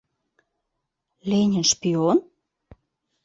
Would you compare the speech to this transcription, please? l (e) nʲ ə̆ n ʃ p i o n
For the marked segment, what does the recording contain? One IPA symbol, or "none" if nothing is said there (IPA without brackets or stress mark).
e